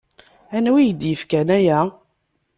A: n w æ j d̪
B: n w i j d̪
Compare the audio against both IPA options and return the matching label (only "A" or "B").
B